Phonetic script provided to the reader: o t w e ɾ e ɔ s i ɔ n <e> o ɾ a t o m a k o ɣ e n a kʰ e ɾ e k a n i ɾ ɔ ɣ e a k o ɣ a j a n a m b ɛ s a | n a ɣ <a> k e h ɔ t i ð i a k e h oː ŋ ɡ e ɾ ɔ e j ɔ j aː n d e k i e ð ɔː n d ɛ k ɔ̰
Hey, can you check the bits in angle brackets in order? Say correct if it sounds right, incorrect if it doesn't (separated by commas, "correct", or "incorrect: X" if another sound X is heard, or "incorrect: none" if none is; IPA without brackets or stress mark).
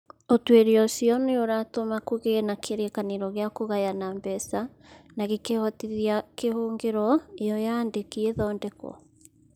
correct, incorrect: e